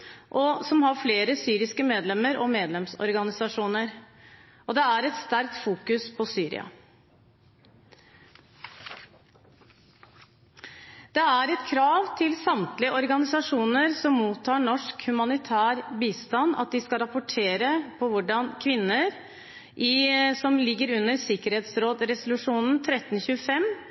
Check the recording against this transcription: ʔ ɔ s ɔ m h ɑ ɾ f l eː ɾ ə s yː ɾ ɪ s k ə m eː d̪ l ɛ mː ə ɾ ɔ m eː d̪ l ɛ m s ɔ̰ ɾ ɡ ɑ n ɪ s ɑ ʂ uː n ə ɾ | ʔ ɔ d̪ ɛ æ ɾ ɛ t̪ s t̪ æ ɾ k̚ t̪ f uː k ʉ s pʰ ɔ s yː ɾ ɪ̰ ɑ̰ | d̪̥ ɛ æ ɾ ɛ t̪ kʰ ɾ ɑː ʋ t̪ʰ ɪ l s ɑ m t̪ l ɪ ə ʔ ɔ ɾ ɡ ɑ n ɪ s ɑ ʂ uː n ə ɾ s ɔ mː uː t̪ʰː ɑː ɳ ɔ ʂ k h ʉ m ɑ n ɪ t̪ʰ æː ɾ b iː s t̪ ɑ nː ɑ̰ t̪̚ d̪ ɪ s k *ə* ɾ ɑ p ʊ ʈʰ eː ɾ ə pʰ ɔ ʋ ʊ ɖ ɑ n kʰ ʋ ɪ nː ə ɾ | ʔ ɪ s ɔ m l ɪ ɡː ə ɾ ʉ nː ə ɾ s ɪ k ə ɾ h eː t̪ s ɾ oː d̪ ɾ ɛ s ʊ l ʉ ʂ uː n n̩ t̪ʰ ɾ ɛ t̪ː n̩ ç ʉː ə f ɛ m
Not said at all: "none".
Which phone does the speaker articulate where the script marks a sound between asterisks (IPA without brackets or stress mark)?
ɑ